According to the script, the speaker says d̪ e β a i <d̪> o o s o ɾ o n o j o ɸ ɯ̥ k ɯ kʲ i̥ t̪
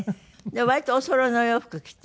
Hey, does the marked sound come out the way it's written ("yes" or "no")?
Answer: no